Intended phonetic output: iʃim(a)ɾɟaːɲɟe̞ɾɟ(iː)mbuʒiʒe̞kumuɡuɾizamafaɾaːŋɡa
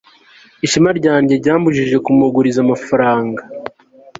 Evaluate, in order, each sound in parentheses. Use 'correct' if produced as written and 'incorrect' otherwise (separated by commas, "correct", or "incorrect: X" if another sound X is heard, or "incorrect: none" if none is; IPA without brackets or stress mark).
correct, incorrect: aː